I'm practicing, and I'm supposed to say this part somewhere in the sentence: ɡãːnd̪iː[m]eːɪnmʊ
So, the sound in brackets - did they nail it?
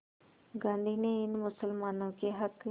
no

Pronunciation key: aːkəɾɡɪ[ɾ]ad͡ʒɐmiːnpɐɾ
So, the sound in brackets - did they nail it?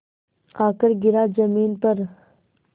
yes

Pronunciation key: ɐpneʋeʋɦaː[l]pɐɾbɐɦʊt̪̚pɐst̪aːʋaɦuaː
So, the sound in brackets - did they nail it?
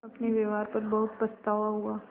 no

